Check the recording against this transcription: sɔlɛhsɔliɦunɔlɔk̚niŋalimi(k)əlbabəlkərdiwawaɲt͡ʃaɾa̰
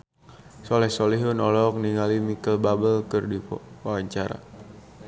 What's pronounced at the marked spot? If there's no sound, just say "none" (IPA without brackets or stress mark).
k